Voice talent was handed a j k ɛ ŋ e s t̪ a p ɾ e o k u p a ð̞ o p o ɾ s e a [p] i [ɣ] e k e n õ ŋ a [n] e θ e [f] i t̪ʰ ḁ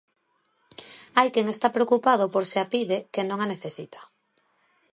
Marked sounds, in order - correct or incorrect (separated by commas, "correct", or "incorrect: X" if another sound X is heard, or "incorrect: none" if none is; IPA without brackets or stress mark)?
correct, incorrect: ð, correct, incorrect: s